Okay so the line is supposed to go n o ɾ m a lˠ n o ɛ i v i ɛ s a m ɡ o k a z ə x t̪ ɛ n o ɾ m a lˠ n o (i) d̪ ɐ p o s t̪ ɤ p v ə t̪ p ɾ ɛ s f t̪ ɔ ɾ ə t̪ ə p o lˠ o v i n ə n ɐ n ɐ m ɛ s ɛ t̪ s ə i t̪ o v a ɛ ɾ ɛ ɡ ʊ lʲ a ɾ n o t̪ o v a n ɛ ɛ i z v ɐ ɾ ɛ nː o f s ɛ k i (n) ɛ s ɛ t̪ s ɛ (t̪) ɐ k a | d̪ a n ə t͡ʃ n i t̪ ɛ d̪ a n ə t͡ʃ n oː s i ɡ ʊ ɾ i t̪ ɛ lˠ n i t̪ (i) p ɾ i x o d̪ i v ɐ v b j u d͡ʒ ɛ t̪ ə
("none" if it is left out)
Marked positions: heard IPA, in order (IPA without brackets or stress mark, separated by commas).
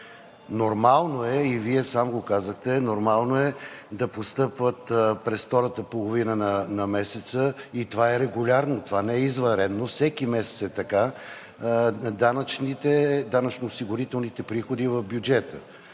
ɛ, m, t̪, ɛ